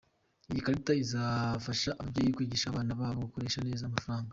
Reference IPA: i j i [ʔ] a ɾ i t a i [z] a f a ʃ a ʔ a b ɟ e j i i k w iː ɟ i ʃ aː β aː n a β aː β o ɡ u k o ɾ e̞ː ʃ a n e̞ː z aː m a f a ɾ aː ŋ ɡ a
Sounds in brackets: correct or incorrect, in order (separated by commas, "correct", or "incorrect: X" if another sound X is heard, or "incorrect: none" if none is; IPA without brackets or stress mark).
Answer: incorrect: k, correct